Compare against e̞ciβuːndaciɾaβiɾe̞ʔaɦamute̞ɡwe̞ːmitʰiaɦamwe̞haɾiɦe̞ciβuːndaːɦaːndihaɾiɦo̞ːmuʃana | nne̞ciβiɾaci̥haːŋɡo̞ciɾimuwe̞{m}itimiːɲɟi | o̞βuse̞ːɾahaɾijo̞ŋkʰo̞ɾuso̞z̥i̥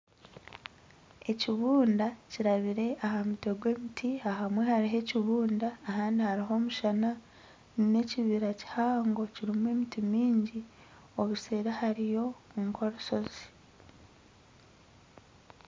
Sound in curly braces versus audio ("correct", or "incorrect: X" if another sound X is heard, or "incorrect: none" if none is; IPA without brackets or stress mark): correct